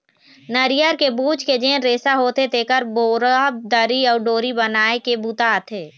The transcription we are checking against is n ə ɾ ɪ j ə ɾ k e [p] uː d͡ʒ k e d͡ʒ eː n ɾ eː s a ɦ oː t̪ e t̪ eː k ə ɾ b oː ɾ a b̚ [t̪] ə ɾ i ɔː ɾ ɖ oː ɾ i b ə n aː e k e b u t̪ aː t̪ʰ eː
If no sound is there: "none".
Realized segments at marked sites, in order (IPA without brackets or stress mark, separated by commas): b, d̪